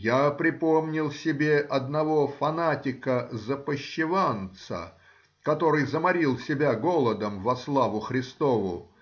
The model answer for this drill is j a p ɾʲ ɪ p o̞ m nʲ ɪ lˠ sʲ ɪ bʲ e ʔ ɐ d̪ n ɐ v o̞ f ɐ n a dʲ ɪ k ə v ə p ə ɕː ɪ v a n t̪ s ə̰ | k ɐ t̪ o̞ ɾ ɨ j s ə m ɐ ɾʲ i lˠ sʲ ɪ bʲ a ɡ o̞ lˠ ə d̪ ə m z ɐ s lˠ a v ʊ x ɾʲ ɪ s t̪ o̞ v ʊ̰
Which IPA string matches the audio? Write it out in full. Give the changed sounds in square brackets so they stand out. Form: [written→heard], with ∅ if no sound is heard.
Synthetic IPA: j a p ɾʲ ɪ p o̞ m nʲ ɪ lˠ sʲ ɪ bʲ e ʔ ɐ d̪ n ɐ v o̞ f ɐ n a [dʲ→tʲ] ɪ k ə [v→z] ə p ə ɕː ɪ v a n t̪ s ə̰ | k ɐ t̪ o̞ ɾ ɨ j [s→z] ə m ɐ ɾʲ i lˠ sʲ ɪ bʲ a ɡ o̞ lˠ ə d̪ ə m [z→v] ɐ s lˠ a v ʊ x ɾʲ ɪ s t̪ o̞ v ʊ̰